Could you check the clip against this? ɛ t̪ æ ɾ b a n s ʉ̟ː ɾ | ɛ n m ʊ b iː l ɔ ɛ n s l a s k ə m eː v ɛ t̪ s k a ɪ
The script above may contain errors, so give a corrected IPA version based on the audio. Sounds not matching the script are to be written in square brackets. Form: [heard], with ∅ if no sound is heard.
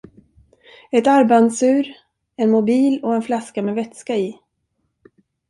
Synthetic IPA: ɛ t̪ [a] ɾ b a n s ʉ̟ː ɾ | ɛ n m ʊ b iː l ɔ ɛ n [f] l a s k [a] m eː v ɛ t̪ s k a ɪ